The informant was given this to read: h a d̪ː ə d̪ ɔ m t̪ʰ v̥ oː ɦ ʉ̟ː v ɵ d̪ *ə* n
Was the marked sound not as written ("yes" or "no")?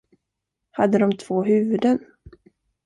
no